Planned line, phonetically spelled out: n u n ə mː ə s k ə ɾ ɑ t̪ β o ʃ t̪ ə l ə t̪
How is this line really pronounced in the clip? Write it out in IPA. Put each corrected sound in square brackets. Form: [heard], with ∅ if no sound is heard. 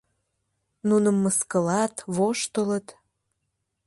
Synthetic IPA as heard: n u n ə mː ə s k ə [l] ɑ t̪ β o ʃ t̪ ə l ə t̪